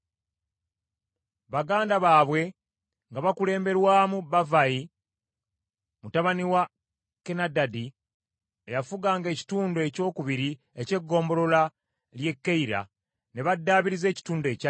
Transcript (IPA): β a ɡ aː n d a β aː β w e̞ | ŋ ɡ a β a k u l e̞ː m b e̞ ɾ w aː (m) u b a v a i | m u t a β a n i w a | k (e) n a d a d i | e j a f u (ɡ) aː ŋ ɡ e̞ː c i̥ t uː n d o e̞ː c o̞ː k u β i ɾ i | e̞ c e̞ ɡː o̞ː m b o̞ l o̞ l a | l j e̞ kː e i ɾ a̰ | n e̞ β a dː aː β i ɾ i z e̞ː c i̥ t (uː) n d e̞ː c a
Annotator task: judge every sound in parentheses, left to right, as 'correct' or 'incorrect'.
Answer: correct, correct, correct, correct

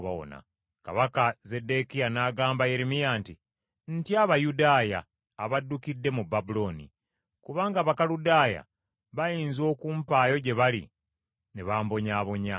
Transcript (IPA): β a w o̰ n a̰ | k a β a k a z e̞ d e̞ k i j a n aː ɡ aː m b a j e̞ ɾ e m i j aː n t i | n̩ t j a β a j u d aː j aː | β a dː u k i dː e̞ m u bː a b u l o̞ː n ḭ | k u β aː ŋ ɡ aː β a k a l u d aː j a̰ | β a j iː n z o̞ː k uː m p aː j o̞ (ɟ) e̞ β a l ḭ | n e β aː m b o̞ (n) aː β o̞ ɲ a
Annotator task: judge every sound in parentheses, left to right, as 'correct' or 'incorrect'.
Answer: correct, incorrect

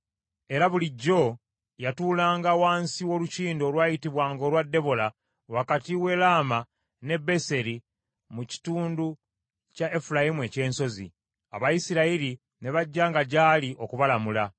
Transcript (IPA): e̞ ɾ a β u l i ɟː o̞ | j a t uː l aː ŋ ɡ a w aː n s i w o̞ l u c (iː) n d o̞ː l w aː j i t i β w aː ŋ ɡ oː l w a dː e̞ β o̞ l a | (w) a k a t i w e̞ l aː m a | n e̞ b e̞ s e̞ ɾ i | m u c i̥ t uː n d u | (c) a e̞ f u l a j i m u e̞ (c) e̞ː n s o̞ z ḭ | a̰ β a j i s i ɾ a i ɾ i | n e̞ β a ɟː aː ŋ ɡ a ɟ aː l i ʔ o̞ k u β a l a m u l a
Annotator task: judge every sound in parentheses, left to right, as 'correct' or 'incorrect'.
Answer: correct, correct, correct, correct

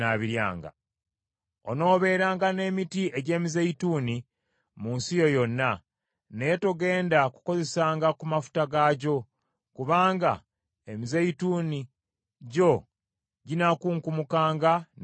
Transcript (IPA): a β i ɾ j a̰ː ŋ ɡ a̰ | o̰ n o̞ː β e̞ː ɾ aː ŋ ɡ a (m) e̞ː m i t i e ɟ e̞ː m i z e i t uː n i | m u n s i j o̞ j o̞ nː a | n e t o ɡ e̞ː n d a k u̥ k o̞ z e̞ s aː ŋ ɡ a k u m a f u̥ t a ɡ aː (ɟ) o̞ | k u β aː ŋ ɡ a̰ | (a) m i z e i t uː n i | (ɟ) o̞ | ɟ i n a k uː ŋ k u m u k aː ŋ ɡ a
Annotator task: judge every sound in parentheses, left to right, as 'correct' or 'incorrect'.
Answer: incorrect, correct, incorrect, correct

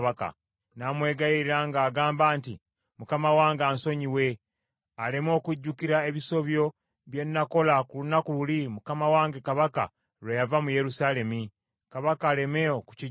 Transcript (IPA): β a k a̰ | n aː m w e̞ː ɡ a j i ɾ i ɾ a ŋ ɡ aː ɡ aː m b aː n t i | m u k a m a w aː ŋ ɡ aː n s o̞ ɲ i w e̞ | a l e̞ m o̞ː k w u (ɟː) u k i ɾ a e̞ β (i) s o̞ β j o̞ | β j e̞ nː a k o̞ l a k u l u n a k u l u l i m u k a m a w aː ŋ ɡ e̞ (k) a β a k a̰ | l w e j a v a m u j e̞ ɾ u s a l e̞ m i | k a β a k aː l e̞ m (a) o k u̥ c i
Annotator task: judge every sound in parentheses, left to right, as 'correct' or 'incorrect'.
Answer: correct, correct, correct, incorrect

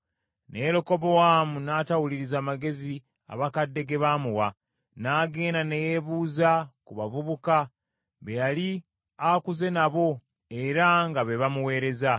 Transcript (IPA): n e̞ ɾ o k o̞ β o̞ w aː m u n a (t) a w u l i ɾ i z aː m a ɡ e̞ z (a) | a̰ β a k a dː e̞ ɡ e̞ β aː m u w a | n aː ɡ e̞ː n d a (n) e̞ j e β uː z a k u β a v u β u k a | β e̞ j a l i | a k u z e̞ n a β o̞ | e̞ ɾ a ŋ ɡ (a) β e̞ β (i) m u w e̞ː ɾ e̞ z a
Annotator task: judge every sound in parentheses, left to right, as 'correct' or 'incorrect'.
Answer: correct, incorrect, correct, correct, incorrect

